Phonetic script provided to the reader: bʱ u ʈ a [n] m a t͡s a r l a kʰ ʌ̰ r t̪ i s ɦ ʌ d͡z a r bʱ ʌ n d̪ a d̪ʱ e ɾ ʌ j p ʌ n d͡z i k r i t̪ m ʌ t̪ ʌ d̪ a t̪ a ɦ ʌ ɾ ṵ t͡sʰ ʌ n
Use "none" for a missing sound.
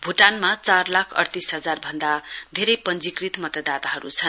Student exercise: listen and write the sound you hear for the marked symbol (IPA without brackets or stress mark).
n